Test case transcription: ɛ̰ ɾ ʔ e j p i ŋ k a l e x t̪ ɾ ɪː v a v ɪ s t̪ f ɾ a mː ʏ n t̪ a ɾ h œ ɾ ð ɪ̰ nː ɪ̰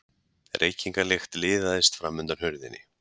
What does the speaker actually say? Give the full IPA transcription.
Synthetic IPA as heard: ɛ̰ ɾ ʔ e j c i ŋ k a l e x t̪ l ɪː ð a ð ɪ s t̪ f ɾ a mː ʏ n t̪ a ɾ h œ ɾ ð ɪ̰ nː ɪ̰

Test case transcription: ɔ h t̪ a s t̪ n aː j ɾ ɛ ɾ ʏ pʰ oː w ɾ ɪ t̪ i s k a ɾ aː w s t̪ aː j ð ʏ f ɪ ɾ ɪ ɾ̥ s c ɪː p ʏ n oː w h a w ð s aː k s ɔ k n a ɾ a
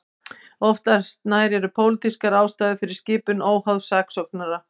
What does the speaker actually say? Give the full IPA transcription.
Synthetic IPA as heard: ɔ f t̪ a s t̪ n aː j ɾ ɛ ɾ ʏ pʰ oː w l ɪ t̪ i s k a ɾ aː w s t̪ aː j ð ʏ f ɪ ɾ ɪ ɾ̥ s c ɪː p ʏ n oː w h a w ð s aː k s ɔ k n a ɾ a

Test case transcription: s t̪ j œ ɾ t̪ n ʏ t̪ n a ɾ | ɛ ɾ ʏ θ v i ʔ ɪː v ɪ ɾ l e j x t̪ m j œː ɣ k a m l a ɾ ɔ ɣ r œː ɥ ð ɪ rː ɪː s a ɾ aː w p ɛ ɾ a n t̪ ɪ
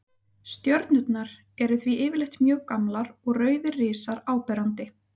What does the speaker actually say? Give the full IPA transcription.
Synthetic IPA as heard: s t̪ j œ ɾ t̪ n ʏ t̪ n a ɾ | ɛ ɾ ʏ θ v i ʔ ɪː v ɪ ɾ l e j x t̪ m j œː ɣ k a m l a ɾ ɔ ɣ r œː ɥ ð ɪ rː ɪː s a ɾ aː w p ɛ ɾ a n t̪ ɪ

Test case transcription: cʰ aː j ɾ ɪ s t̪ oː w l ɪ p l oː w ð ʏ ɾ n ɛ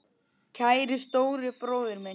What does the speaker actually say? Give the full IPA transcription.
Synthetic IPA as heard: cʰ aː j ɾ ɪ s t̪ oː w ɾ ɪ p ɾ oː w ð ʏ ɾ m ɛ

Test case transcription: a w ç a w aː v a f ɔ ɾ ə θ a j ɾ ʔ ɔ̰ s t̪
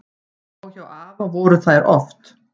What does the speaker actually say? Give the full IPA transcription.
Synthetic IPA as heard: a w ç a w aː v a v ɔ ɾ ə θ a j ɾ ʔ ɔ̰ f t̪

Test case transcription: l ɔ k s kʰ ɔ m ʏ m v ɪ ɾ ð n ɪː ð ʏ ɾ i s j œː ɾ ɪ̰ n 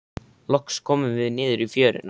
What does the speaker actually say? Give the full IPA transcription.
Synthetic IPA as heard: l ɔ k s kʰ ɔː m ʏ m v ɪ ð n ɪː ð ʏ ɾ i f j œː ɾ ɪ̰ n

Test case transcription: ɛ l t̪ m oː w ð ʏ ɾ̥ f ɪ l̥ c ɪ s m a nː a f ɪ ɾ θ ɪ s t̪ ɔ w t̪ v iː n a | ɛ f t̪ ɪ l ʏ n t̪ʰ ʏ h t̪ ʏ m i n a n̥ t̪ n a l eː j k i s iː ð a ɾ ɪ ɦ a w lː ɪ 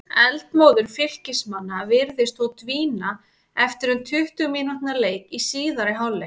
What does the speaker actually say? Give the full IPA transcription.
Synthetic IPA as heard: ɛ l t̪ m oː w ð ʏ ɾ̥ f ɪ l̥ c ɪ s m a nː a v ɪ ɾ ð ɪ s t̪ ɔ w t̪ v iː n a | ɛ f t̪ ɪ ɾ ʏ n t̪ʰ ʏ h t̪ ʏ m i n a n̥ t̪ n a l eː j k i s iː ð a ɾ ɪ ɦ a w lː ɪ

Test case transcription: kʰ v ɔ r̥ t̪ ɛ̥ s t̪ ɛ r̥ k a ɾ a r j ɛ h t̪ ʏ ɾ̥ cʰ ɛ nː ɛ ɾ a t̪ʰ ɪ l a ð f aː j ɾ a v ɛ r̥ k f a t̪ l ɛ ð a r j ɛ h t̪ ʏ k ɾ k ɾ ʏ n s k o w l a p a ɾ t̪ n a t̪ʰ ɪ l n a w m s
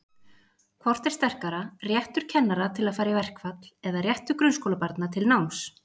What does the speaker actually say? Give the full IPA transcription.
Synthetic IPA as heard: kʰ v ɔ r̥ t̪ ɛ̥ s t̪ ɛ r̥ k a ɾ a r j ɛ h t̪ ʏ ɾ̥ cʰ ɛ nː a ɾ a t̪ʰ ɪ l a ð f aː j ɾ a v ɛ r̥ k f a t̪ l ɛ ð a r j ɛ h t̪ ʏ ɾ k ɾ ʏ n s k o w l a p a ɾ t̪ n a t̪ʰ ɪ l n a w m s

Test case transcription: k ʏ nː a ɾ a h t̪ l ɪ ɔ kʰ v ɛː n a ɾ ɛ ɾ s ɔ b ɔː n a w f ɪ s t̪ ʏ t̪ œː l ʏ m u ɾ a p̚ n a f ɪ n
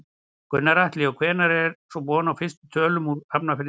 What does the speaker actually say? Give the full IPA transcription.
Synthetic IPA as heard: k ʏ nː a ɾ a h t̪ l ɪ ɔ kʰ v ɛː n a ɾ ɛ ɾ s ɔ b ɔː n a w f ɪ s t̪ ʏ t̪ʰ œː l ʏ m u ɾ a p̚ n a f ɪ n

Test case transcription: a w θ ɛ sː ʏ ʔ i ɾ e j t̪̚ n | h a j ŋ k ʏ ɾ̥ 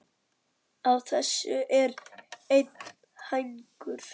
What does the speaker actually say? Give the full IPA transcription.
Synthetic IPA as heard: a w θ ɛ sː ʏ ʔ ɛ ɾ e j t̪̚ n | h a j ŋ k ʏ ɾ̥

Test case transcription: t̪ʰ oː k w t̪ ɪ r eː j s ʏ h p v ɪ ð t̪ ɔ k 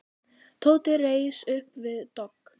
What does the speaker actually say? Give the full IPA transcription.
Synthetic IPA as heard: t̪ʰ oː w t̪ ɪ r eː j s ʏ h p v ɪ ð t̪ ɔ k

